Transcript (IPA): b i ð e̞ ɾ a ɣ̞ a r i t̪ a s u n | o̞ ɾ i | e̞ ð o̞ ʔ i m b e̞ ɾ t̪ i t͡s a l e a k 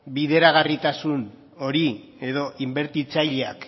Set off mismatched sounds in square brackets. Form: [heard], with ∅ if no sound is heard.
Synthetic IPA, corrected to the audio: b i ð e̞ ɾ a ɣ̞ a r i t̪ a s u n | o̞ ɾ i | e̞ ð o̞ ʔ i m b e̞ ɾ t̪ i t͡s a [ʎ] e a k